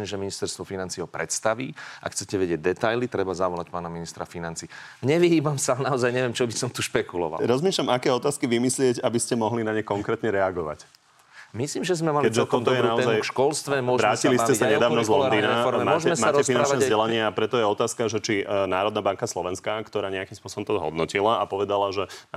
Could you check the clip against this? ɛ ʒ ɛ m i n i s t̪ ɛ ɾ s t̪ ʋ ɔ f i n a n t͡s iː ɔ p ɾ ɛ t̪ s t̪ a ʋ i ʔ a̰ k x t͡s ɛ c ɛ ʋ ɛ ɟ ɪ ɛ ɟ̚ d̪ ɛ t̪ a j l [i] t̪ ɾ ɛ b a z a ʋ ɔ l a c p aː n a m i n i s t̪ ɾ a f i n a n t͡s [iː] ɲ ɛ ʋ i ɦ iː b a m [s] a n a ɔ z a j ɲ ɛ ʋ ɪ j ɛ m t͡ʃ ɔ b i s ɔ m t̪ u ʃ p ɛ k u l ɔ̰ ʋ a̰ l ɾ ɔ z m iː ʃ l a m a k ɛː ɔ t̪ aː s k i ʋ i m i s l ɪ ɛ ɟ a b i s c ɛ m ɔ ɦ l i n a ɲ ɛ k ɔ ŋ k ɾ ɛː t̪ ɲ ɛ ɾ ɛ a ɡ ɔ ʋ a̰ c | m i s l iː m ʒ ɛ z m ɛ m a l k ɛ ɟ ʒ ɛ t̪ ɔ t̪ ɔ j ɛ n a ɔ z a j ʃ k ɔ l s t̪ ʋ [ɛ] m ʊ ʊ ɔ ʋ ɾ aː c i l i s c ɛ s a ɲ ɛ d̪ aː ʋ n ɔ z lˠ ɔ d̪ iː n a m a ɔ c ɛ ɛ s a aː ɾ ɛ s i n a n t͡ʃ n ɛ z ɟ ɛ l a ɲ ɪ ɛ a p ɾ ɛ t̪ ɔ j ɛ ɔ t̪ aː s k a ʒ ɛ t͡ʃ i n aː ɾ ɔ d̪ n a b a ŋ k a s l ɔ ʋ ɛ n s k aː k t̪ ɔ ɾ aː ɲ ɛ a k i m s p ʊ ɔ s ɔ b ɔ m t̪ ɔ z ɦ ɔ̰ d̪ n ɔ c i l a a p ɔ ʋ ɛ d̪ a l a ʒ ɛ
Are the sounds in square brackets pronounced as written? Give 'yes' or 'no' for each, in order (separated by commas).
yes, yes, yes, yes